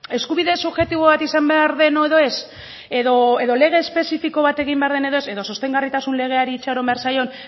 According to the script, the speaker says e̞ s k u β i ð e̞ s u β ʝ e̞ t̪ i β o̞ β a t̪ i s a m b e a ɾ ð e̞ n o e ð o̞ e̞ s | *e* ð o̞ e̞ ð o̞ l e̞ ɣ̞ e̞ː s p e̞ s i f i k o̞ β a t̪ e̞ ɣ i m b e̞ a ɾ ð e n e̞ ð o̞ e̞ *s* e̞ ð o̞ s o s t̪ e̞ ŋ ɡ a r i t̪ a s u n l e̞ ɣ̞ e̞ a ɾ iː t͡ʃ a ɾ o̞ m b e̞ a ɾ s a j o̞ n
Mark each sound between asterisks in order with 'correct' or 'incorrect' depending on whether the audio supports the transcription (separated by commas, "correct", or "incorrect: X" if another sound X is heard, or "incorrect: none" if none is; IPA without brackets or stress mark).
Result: correct, correct